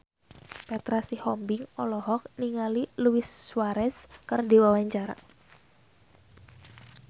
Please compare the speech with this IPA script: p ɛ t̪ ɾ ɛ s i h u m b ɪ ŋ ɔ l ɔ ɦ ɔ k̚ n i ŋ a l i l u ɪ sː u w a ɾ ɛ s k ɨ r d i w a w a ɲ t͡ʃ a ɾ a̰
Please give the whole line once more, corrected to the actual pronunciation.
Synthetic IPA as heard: p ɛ t̪ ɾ a s i h ɔ m b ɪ ŋ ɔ l ɔ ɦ ɔ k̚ n i ŋ a l i l u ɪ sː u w a ɾ ɛ s k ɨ r d i w a w a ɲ t͡ʃ a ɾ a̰